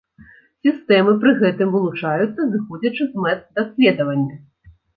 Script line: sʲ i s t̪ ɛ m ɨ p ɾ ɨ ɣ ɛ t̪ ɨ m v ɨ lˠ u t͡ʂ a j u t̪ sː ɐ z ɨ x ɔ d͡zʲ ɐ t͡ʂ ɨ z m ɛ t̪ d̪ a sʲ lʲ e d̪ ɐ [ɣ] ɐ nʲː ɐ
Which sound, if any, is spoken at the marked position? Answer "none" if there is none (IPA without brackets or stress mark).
v